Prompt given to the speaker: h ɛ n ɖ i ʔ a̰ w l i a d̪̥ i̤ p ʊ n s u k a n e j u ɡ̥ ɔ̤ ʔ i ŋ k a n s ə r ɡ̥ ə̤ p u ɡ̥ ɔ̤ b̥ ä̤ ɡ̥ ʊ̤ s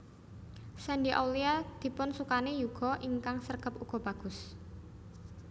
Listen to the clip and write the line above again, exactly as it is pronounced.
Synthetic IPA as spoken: s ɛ n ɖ i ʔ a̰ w l i a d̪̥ i̤ p ʊ n s u k a n e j u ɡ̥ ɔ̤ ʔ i ŋ k a ŋ s ə r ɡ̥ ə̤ p u ɡ̥ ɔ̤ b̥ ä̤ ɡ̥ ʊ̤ s

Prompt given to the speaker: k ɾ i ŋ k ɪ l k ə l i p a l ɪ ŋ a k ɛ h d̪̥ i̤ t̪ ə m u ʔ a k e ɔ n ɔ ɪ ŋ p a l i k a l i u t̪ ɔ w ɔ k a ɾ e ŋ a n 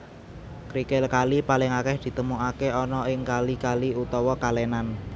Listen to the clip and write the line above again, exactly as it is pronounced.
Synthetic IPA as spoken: k ɾ i k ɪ l k a l i p a l ɪ ŋ a k ɛ h d̪̥ i̤ t̪ ə m u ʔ a k e ɔ n ɔ ɪ ŋ k a l i k a l i u t̪ ɔ w ɔ k a l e n a n

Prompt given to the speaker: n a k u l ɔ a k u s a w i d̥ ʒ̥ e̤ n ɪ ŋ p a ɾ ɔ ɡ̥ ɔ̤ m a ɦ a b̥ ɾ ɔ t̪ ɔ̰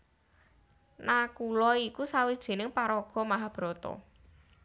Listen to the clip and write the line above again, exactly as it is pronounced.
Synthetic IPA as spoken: n a k u l ɔ i k u s a w i d̥ ʒ̥ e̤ n ɪ ŋ p a ɾ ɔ ɡ̥ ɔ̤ m a ɦ a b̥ ɾ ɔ t̪ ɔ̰

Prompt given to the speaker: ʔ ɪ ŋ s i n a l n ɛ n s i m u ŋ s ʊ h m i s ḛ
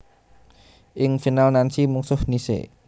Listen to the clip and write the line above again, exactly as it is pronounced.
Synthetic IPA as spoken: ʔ ɪ ŋ f i n a l n a n s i m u ŋ s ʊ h n i s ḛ

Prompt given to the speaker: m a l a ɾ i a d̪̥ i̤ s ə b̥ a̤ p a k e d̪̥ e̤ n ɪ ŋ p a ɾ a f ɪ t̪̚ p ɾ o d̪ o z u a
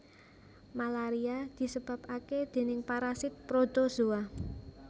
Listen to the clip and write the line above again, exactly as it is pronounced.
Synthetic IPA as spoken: m a l a ɾ i a d̪̥ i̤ s ə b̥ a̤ p a k e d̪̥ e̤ n ɪ ŋ p a ɾ a s ɪ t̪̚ p ɾ o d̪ o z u a

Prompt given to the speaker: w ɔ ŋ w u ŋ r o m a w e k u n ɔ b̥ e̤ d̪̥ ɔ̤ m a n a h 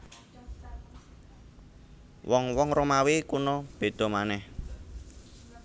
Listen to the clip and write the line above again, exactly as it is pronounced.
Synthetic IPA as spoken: w ɔ ŋ w ɔ ŋ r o m a w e k u n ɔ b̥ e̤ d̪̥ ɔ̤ m a n ɛ h

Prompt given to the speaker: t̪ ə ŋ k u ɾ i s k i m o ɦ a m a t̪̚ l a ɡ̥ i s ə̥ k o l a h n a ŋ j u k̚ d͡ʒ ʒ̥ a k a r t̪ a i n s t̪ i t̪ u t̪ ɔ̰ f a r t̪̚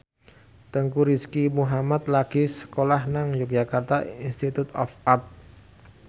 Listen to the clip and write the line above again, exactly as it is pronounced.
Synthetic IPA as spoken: t̪ ə ŋ k u ɾ i s k i m u ɦ a m a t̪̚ l a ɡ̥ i s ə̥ k o l a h n a ŋ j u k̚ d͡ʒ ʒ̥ a k a r t̪ a i n s t̪ i t̪ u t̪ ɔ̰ f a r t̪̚

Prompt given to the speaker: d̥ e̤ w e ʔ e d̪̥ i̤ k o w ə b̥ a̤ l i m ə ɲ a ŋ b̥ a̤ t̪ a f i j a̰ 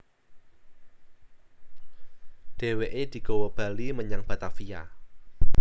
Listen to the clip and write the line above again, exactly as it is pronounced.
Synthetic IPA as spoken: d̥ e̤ w e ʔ e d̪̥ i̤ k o w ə b̥ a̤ l i m ə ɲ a ŋ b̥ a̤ t̪ a f i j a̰

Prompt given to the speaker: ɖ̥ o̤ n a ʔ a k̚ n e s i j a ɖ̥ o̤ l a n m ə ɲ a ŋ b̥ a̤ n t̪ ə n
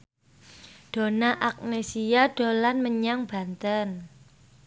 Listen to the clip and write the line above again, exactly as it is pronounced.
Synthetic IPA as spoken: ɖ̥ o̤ n a ʔ a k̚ n e s i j a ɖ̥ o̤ l a n m ə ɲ a ŋ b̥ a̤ n t̪ ə n

